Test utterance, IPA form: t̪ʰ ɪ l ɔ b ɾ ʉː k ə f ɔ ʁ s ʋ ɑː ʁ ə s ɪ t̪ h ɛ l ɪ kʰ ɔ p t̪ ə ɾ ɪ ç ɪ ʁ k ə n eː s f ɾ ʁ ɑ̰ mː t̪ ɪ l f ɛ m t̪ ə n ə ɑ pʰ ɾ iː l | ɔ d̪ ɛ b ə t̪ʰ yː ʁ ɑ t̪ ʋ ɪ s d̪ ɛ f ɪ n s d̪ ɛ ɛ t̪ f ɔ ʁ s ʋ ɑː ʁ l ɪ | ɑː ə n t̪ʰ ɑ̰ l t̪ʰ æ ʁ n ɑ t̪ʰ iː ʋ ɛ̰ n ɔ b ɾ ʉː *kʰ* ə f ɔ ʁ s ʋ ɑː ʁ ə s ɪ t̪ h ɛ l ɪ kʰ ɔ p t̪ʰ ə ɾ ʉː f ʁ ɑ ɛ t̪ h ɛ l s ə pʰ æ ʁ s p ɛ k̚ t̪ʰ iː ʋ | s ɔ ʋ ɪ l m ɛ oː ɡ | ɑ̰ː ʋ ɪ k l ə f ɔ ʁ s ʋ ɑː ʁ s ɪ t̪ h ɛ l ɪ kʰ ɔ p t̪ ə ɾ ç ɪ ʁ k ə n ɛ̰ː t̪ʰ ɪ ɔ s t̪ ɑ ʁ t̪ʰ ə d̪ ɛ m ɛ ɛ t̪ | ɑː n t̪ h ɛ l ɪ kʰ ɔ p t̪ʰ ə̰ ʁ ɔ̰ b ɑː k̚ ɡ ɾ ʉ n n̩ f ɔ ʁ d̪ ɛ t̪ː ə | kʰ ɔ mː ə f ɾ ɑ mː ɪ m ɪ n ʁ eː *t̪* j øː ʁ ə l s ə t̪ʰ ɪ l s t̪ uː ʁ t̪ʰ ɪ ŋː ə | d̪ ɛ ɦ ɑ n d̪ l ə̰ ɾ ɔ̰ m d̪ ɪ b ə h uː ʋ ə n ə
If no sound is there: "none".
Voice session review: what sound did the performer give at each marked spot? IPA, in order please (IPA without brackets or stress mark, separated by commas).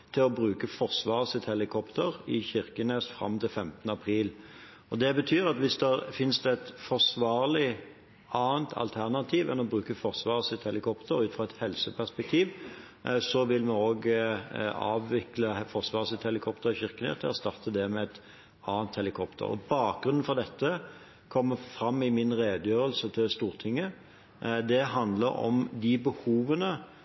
k, d̪